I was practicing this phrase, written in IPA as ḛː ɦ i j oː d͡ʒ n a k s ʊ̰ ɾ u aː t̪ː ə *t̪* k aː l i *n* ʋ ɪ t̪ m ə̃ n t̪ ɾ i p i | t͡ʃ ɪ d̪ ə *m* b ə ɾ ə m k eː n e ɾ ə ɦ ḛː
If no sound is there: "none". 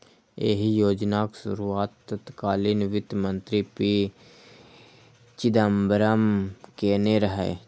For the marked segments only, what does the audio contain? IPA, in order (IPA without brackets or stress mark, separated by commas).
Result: t̪, n, m